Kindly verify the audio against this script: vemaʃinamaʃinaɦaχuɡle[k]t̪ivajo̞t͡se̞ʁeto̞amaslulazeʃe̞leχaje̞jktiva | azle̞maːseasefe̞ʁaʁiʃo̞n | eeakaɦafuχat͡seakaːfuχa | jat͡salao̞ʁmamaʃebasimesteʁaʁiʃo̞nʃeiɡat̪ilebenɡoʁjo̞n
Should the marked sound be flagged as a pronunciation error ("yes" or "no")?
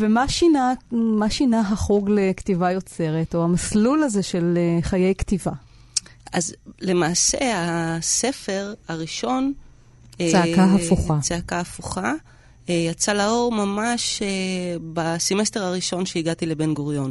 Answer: no